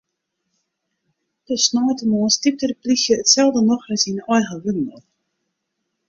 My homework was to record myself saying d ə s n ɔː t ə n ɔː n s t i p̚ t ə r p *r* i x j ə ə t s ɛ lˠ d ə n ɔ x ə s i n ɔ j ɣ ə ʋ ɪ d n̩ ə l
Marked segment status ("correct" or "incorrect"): incorrect